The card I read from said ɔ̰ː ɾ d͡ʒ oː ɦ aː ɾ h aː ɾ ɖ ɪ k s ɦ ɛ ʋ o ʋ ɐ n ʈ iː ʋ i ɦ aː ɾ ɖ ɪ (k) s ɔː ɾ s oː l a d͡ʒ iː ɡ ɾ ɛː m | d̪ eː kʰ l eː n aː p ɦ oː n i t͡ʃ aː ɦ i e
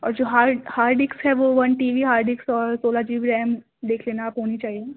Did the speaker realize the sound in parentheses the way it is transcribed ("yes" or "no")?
yes